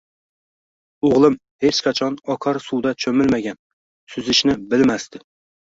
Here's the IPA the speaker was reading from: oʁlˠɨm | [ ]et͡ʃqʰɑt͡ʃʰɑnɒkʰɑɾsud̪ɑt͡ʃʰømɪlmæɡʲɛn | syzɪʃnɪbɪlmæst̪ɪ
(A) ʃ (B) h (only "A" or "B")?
B